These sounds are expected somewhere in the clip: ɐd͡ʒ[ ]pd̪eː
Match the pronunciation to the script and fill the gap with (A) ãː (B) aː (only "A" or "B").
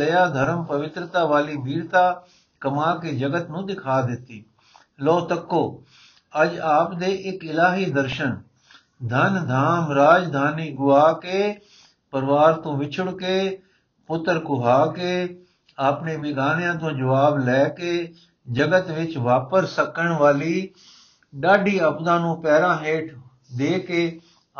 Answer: B